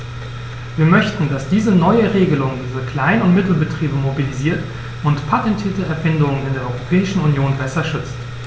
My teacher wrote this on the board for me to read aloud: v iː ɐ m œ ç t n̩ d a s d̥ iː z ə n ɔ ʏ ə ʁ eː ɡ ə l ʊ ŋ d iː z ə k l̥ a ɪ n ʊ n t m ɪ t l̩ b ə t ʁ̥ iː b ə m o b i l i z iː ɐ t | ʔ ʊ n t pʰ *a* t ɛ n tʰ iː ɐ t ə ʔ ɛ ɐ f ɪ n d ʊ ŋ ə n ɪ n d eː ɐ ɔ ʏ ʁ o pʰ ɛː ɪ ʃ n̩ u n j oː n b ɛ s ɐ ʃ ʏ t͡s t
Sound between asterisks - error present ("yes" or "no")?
no